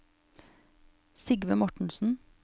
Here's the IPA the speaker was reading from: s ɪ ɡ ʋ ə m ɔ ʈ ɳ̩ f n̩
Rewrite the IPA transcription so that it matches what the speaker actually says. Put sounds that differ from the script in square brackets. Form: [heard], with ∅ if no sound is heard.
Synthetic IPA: s ɪ ɡ ʋ ə m ɔ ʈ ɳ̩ [s] n̩

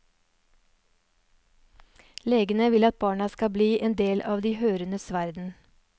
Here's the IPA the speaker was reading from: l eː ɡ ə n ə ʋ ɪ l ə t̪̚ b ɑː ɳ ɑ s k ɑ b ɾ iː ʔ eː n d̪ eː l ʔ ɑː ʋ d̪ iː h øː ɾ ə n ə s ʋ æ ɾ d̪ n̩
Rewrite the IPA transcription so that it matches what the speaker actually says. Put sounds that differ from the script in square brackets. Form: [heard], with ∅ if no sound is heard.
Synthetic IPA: l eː ɡ ə n ə ʋ ɪ l [ɑ] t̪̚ b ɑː ɳ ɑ s k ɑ b [l] iː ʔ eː n d̪ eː l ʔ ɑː ʋ d̪ iː h øː ɾ ə n ə s ʋ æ ɾ d̪ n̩

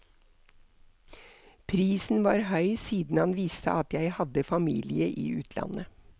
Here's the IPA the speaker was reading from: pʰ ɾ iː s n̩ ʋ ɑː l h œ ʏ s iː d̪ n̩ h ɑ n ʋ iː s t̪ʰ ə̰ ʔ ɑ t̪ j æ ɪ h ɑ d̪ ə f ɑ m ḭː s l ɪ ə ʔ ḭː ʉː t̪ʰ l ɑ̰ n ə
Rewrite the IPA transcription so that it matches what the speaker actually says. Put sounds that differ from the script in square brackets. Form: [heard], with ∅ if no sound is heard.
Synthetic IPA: pʰ ɾ iː s n̩ ʋ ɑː [ɾ] h œ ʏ s iː d̪ n̩ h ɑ n ʋ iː s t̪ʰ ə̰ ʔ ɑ t̪ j æ ɪ h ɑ d̪ ə f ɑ m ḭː [∅] l ɪ ə ʔ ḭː ʉː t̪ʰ l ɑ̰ n ə

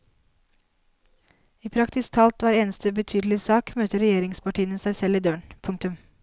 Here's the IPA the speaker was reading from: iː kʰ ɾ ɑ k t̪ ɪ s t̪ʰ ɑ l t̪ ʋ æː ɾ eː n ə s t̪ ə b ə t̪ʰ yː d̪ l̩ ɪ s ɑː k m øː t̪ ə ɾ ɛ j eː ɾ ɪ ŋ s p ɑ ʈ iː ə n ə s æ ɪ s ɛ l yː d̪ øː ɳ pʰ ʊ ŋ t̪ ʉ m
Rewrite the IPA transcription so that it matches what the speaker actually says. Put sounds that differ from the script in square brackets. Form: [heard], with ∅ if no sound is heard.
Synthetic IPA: iː [pʰ] ɾ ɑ k t̪ ɪ s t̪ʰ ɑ l t̪ ʋ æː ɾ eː n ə s t̪ ə b ə t̪ʰ yː d̪ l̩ ɪ s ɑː k m øː t̪ ə ɾ ɛ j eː ɾ ɪ ŋ s p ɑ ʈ iː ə n ə s æ ɪ s ɛ l [iː] d̪ øː ɳ pʰ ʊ ŋ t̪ ʉ m

